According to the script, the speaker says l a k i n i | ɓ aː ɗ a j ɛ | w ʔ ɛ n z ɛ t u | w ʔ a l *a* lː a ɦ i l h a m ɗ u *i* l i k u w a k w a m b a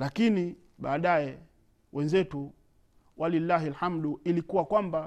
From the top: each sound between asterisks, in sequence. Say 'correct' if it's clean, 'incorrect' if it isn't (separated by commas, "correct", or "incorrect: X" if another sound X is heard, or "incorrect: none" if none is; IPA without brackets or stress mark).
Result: incorrect: i, correct